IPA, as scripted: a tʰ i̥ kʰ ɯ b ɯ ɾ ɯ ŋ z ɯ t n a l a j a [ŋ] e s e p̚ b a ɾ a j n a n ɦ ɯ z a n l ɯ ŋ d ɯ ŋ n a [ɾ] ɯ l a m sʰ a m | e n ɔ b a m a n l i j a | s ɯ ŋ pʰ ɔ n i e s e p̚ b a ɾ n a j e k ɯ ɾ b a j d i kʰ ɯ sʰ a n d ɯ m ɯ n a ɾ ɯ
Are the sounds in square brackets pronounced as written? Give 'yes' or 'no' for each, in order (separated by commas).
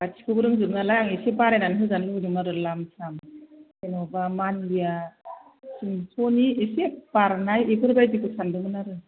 yes, yes